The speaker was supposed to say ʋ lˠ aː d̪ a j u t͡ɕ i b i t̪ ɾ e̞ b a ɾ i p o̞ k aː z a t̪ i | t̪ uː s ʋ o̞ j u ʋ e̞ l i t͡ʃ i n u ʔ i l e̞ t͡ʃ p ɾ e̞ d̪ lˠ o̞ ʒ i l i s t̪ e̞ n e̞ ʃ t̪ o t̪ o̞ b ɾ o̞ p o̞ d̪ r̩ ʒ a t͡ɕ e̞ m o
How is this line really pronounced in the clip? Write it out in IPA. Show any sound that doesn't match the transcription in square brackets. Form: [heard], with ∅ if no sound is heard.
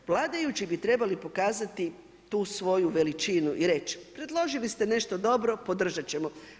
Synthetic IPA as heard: ʋ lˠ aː d̪ a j u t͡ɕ i b i t̪ ɾ e̞ b a [l] i p o̞ k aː z a t̪ i | t̪ uː s ʋ o̞ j u ʋ e̞ l i t͡ʃ i n u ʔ i [ɾ] e̞ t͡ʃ p ɾ e̞ d̪ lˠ o̞ ʒ i l i s t̪ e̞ n e̞ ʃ t̪ o [d̪] o̞ b ɾ o̞ p o̞ d̪ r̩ ʒ a t͡ɕ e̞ m o

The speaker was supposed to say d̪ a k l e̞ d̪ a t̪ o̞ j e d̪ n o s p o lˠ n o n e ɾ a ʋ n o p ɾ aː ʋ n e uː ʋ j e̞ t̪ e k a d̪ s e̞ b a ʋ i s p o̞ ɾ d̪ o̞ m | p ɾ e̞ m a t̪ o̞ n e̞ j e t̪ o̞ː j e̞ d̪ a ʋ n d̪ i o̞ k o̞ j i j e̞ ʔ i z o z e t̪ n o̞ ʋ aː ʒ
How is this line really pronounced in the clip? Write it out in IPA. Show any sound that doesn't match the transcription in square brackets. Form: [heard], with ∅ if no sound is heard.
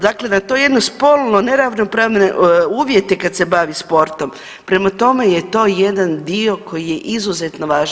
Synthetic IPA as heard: d̪ a k l e̞ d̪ a t̪ o̞ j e d̪ n o s p o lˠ n o n e ɾ a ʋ n o p ɾ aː ʋ n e uː ʋ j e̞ t̪ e k a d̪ s e̞ b a ʋ i s p o̞ ɾ [t̪] o̞ m | p ɾ e̞ m a t̪ o̞ [m] e̞ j e t̪ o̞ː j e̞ d̪ a [∅] n d̪ i o̞ k o̞ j i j e̞ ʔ i z [u] z e t̪ n o̞ ʋ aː ʒ

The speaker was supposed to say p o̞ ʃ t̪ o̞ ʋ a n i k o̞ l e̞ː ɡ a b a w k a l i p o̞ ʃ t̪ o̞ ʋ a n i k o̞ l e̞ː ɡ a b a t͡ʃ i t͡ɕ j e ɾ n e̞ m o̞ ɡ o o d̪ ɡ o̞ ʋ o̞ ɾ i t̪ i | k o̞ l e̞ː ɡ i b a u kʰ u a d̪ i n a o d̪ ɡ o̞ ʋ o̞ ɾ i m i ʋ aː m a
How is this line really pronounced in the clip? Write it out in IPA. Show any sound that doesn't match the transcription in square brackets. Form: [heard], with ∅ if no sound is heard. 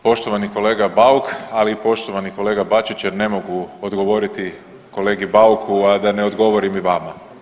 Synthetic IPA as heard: p o̞ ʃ t̪ o̞ ʋ a n i k o̞ l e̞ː ɡ a b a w k a l i p o̞ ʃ t̪ o̞ ʋ a n i k o̞ l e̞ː ɡ a b a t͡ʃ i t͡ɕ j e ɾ n e̞ m o̞ ɡ [u] o d̪ ɡ o̞ ʋ o̞ ɾ i t̪ i | k o̞ l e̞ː ɡ i b a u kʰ u a d̪ [a] n [e] o d̪ ɡ o̞ ʋ o̞ ɾ i m i ʋ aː m a

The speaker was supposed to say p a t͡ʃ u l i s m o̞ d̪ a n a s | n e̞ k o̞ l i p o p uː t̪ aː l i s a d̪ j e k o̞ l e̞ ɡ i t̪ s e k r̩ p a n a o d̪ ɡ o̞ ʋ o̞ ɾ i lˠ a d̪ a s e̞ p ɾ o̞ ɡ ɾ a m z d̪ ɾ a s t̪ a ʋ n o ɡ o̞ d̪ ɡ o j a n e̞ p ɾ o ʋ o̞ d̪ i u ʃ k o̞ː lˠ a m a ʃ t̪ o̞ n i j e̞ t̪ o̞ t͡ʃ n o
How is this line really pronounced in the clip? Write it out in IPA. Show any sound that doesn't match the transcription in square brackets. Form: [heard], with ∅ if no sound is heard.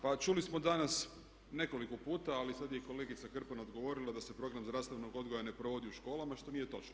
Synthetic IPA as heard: p a t͡ʃ u l i s m o̞ d̪ a n a s | n e̞ k o̞ l i [k] o p uː t̪ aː l i s a d̪ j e k o̞ l e̞ ɡ i t̪ s [a] k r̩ p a n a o d̪ ɡ o̞ ʋ o̞ ɾ i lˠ a d̪ a s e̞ p ɾ o̞ ɡ ɾ a m z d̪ ɾ a s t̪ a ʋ n o ɡ o̞ d̪ ɡ o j a n e̞ p ɾ o ʋ o̞ d̪ i u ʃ k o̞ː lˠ a m a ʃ t̪ o̞ n i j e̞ t̪ o̞ t͡ʃ n o

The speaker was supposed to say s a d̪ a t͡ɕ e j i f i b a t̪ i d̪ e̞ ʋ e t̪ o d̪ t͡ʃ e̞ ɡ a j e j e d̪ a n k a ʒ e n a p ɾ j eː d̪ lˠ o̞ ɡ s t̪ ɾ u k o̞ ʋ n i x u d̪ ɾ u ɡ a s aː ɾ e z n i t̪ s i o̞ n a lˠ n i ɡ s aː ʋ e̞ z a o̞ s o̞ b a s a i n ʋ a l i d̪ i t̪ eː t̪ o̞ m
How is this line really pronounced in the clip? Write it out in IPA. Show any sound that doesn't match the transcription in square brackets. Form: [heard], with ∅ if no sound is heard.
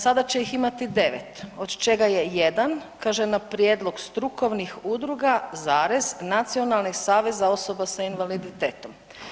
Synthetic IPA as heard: s a d̪ a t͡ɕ e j i [x] i [m] a t̪ i d̪ e̞ ʋ e t̪ o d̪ t͡ʃ e̞ ɡ a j e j e d̪ a n k a ʒ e n a p ɾ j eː d̪ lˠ o̞ ɡ s t̪ ɾ u k o̞ ʋ n i x u d̪ ɾ u ɡ a [z] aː ɾ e z n [a] t̪ s i o̞ n a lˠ n i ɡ s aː ʋ e̞ z a o̞ s o̞ b a s a i n ʋ a l i d̪ i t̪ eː t̪ o̞ m

